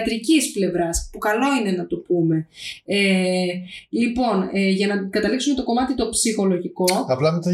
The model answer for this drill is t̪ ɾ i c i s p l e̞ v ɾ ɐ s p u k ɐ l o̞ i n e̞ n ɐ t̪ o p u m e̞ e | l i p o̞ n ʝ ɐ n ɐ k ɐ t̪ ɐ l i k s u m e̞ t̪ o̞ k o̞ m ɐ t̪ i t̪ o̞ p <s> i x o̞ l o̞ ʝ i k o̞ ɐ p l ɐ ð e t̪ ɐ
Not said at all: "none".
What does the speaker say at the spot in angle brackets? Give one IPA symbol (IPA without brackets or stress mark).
s